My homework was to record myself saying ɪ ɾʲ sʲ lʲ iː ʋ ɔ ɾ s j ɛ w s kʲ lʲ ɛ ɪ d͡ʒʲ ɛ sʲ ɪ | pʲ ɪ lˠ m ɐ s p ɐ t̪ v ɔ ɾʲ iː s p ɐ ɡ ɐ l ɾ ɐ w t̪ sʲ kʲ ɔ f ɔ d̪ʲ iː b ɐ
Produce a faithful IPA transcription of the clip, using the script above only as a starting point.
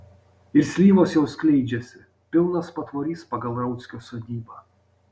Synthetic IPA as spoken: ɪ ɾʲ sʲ lʲ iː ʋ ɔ s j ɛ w s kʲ lʲ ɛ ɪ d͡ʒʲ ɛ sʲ ɪ | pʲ ɪ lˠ n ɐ s p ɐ t̪ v ɔ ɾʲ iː s p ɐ ɡ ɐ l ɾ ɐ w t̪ sʲ kʲ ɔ s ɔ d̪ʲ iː b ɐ